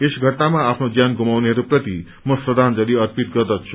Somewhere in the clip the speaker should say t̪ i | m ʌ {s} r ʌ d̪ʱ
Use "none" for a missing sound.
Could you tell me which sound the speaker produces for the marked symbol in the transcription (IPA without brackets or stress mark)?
s